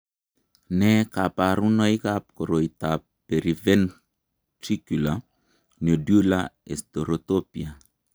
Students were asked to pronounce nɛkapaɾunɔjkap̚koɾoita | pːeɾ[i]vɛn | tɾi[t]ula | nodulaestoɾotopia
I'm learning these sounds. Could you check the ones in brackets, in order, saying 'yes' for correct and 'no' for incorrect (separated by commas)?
yes, no